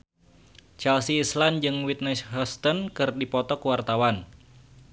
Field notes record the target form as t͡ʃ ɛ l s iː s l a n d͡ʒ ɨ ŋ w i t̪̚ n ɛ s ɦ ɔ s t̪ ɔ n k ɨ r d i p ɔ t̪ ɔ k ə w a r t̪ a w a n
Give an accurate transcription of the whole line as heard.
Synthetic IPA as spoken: t͡ʃ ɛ l s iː s l a n d͡ʒ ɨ ŋ w i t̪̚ n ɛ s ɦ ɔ s t̪ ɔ n k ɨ r d i p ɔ t̪ ɔ k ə w a r t̪ a w a n